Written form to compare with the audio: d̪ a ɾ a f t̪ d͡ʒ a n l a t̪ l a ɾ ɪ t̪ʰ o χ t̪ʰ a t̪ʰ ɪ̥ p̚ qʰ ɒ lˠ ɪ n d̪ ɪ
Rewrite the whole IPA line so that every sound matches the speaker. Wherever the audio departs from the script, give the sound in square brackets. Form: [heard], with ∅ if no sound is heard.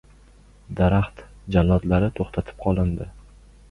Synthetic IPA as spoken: d̪ a ɾ a [χ] t̪ d͡ʒ a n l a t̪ l a ɾ ɪ t̪ʰ o χ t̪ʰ a t̪ʰ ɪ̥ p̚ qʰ ɒ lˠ ɪ n d̪ ɪ